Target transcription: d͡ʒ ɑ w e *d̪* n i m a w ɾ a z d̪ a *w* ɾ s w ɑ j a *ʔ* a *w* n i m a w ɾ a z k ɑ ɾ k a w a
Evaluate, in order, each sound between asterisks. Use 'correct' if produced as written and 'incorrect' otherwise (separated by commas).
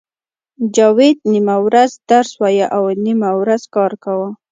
correct, incorrect, correct, correct